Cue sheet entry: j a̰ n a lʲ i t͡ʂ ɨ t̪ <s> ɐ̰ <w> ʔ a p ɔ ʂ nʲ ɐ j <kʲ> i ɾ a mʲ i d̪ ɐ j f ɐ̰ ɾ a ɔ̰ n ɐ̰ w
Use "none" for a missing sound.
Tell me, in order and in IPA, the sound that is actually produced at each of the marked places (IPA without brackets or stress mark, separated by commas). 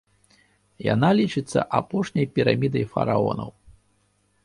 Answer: sː, none, pʲ